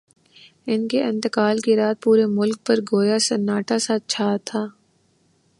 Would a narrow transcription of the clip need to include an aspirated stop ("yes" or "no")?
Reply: yes